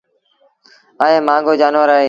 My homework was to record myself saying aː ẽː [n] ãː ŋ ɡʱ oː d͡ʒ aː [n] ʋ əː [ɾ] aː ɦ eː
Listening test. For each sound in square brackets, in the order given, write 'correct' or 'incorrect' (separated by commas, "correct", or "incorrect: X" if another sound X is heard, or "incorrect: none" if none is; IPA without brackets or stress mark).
incorrect: m, correct, correct